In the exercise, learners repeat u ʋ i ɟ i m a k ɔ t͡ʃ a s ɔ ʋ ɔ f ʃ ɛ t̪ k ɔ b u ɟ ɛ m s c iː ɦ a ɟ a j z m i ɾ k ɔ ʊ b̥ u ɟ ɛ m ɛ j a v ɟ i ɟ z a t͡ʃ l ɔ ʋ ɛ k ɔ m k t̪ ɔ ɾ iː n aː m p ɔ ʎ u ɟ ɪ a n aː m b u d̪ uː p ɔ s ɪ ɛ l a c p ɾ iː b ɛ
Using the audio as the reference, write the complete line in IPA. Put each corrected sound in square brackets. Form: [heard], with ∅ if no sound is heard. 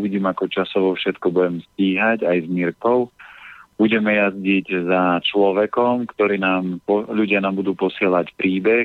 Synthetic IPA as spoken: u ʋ i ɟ [iː] m a k ɔ t͡ʃ a s ɔ ʋ ɔ f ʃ ɛ t̪ k ɔ b u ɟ ɛ m s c iː ɦ a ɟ a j z m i ɾ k ɔ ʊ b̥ u ɟ ɛ m ɛ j a [z] ɟ i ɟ z a t͡ʃ l ɔ ʋ ɛ k ɔ m k t̪ ɔ ɾ iː n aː m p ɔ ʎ u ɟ ɪ a n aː m b u d̪ uː p ɔ s ɪ ɛ l a c p ɾ iː b ɛ